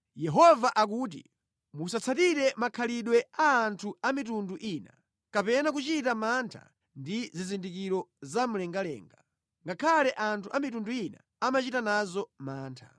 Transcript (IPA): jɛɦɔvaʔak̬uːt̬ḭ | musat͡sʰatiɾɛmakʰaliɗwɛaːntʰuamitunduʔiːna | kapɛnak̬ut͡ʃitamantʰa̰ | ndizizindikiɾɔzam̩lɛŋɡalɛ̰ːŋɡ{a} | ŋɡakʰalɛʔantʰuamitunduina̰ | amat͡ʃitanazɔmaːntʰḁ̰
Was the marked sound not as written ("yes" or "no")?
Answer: no